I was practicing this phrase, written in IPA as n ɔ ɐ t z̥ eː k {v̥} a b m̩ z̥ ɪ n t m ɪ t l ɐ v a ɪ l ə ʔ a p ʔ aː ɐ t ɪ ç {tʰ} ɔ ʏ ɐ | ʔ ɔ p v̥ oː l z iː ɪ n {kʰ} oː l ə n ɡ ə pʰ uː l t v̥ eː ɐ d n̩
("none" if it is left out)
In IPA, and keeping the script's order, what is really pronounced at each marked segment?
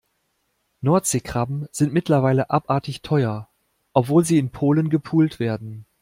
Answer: ʁ̥, tʰ, pʰ

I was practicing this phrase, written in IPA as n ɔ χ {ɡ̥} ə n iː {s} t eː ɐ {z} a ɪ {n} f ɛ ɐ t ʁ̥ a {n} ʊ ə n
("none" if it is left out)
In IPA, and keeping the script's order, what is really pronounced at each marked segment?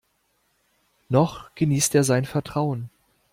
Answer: ɡ̥, s, z, n, none

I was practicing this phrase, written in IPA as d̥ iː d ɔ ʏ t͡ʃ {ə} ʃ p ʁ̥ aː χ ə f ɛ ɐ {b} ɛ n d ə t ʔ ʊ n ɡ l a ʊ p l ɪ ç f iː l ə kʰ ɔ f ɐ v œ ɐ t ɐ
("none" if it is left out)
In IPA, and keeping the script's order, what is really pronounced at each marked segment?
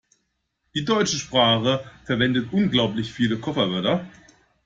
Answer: ə, v

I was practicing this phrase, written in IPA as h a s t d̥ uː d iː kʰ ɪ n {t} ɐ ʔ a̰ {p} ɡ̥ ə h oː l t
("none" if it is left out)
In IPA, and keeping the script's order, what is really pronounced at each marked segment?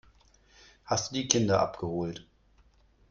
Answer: d, p

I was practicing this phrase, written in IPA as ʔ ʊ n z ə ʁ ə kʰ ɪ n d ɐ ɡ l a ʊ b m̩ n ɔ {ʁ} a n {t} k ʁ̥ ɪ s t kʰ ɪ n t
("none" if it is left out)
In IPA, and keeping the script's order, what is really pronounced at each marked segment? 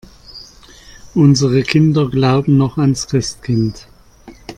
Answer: χ, s

